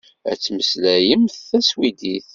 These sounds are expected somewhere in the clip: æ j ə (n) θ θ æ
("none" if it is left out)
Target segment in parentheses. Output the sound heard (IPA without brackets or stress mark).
m